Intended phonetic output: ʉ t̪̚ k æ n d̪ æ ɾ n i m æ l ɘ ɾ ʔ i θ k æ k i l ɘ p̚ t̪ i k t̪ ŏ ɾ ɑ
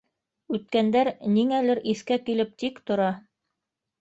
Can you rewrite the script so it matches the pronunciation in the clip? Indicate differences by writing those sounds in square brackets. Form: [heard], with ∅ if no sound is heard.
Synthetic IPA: ʉ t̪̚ k æ n d̪ æ ɾ n i [ŋ] æ l ɘ ɾ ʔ i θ k æ k i l ɘ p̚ t̪ i k t̪ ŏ ɾ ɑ